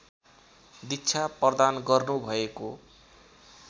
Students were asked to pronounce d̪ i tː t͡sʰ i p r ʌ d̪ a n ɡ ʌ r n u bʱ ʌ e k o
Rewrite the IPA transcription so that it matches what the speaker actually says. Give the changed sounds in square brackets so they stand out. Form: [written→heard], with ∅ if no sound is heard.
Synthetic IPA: d̪ i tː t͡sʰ [i→a] p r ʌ d̪ a n ɡ ʌ r n u bʱ ʌ e k o